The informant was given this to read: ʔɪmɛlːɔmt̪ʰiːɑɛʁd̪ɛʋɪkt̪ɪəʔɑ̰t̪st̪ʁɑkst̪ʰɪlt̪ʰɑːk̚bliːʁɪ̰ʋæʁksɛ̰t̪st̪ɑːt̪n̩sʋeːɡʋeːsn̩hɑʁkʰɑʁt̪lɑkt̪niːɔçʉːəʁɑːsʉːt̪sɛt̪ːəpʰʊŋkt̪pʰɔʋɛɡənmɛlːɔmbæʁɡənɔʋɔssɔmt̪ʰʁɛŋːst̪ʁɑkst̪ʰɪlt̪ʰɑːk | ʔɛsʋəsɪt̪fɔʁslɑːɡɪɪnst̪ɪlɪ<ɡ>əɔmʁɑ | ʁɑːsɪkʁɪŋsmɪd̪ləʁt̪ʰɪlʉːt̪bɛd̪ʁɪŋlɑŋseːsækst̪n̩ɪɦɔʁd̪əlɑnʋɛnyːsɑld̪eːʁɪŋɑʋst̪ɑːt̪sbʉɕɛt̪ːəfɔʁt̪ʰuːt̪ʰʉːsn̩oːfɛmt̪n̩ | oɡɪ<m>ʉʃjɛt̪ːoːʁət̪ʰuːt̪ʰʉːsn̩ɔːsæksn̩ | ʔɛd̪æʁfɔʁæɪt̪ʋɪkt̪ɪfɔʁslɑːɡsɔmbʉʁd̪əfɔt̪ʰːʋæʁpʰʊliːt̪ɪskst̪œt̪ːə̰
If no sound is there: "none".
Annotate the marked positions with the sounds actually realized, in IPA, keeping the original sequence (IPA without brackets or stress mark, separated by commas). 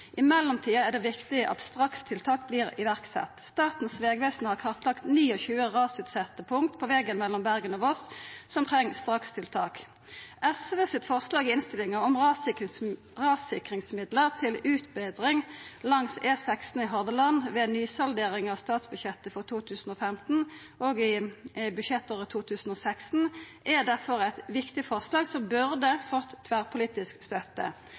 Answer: ŋ, b